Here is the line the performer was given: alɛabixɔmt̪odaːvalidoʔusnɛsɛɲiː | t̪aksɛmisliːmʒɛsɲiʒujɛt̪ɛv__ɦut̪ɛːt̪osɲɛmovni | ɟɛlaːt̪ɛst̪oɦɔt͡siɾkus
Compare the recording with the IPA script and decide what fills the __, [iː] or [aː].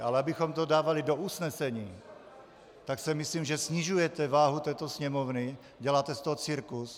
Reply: aː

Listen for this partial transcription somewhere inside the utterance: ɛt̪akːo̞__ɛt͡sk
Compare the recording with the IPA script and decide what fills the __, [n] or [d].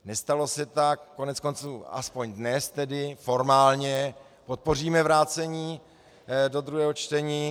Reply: n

